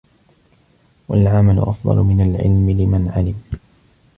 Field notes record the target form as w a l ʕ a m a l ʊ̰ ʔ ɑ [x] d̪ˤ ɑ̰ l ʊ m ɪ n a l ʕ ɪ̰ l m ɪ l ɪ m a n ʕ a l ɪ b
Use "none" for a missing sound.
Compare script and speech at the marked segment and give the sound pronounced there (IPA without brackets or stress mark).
f